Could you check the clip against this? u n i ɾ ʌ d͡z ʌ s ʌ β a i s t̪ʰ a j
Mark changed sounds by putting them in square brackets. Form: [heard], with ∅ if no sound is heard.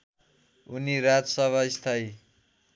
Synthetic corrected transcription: u n i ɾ [a] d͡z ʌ s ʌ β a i s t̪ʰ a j

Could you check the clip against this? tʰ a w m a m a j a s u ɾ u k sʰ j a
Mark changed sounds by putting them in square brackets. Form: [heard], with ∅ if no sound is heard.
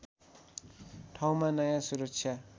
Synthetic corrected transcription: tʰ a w m a [n] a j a s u ɾ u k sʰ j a

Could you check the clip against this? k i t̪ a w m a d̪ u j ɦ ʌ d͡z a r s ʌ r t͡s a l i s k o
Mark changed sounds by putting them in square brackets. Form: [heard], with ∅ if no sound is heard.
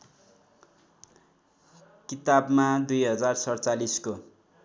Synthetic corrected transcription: k i t̪ a [b] m a d̪ u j ɦ ʌ d͡z a r s ʌ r t͡s a l i s k o

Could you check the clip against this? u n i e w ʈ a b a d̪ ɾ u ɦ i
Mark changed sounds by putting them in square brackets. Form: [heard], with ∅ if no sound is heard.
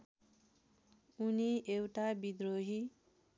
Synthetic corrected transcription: u n i e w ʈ a b [i] d̪ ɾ [o] ɦ i

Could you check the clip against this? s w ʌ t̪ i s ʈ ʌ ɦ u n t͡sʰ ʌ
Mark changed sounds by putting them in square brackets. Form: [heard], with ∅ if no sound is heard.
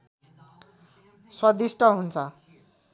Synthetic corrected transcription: s w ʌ [d̪] i s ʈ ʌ ɦ u n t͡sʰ ʌ

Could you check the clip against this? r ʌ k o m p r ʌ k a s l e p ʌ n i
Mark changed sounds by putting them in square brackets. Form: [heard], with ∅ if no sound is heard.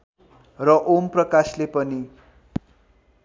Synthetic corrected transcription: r ʌ [ʔ] o m p r ʌ k a s l e p ʌ n i

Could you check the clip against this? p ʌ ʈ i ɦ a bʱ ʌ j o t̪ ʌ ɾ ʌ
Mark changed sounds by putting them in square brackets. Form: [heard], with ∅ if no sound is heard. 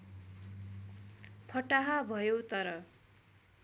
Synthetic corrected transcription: [pʰ] ʌ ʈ [a] ɦ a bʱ ʌ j o t̪ ʌ ɾ ʌ

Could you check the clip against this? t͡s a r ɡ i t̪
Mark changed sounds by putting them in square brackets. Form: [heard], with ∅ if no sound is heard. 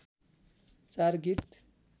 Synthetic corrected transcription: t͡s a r ɡ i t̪

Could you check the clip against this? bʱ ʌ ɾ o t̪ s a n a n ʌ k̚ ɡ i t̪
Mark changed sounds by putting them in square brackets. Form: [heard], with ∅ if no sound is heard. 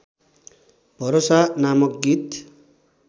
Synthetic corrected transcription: bʱ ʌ ɾ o [∅] s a n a [m] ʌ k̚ ɡ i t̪

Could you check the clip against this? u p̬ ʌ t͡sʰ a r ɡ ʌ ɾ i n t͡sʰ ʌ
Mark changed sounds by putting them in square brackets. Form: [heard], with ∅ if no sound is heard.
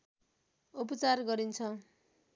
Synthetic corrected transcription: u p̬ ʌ [t͡s] a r ɡ ʌ ɾ i n t͡sʰ ʌ

